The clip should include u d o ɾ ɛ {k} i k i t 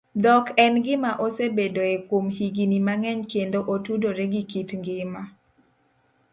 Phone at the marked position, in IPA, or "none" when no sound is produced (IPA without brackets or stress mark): ɡ